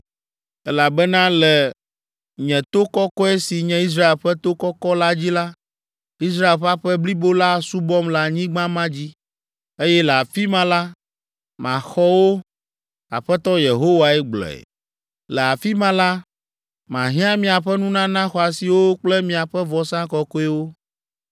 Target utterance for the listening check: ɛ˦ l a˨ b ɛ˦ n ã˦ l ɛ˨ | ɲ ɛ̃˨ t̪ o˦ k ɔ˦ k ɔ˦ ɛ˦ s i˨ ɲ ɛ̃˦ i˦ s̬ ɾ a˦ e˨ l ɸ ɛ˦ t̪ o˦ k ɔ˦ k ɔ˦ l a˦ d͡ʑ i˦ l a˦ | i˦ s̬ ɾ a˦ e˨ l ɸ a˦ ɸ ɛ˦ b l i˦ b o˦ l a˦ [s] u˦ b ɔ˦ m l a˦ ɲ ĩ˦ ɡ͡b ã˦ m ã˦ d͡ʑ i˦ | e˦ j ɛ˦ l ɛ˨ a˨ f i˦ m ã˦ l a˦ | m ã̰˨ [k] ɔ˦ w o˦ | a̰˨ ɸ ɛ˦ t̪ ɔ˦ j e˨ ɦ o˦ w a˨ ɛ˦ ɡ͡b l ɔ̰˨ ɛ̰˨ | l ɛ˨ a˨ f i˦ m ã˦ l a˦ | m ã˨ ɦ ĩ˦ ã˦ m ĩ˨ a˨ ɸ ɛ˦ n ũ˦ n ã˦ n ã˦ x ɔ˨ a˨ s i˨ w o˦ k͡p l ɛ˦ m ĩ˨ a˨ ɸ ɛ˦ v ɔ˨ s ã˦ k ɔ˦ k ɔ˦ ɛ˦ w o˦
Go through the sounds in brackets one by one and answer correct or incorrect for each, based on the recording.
correct, incorrect

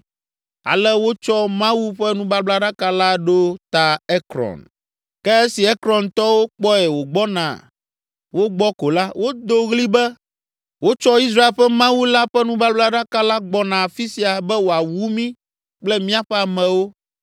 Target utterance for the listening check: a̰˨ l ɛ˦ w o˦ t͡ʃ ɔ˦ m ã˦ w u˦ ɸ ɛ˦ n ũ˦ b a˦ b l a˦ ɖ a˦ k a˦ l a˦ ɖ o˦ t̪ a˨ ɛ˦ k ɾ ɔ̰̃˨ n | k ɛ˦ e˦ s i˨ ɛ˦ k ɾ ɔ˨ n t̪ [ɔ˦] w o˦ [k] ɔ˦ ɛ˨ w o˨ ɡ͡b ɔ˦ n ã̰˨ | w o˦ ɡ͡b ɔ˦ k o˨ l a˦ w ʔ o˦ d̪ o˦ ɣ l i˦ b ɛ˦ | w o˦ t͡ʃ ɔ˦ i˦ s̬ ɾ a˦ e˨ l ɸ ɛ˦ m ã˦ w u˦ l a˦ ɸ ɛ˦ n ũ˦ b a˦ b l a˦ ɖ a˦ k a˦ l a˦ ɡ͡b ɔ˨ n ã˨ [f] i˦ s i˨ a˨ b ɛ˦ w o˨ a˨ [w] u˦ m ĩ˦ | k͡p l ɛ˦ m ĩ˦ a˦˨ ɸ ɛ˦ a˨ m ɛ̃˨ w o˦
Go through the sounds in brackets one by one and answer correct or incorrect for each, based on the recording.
correct, incorrect, correct, correct

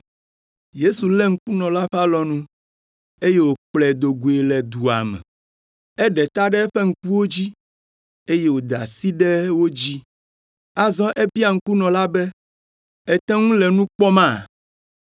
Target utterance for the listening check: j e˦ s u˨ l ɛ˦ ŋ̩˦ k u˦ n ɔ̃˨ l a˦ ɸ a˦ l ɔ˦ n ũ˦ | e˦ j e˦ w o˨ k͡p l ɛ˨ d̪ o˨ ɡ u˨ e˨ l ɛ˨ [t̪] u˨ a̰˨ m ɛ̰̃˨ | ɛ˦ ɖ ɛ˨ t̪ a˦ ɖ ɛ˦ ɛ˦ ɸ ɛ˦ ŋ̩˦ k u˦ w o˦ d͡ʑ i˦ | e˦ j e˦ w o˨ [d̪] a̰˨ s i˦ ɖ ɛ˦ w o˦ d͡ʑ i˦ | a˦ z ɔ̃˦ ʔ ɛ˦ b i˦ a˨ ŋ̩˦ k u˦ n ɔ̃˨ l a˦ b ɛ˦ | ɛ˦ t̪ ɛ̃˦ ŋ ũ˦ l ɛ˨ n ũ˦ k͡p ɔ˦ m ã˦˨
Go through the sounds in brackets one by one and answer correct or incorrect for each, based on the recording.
incorrect, correct

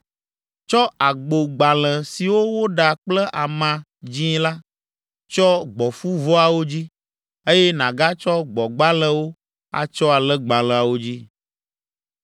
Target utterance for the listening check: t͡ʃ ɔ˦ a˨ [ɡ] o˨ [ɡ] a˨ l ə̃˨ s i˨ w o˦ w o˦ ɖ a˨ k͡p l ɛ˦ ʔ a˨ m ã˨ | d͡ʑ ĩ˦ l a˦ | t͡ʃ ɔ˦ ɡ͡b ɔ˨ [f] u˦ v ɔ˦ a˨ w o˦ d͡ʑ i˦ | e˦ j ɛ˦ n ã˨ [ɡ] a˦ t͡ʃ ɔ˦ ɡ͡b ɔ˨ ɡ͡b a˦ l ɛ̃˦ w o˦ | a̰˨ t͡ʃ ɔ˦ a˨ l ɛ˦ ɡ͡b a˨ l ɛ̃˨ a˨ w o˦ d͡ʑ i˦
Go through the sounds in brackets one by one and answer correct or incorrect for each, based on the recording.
incorrect, incorrect, correct, correct

